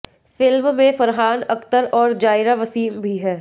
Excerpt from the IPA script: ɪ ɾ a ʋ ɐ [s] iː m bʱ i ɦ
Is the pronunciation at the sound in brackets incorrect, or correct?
correct